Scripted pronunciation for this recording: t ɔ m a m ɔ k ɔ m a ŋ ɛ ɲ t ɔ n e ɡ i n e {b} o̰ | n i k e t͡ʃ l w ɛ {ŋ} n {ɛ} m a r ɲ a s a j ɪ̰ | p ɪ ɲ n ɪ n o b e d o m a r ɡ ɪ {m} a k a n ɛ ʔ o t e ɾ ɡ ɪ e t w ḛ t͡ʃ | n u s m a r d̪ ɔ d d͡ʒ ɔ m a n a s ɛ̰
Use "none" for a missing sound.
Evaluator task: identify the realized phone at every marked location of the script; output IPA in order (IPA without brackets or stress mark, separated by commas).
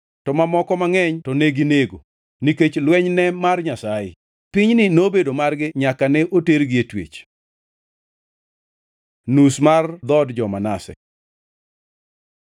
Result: ɡ, ɲ, ɛ, ɲ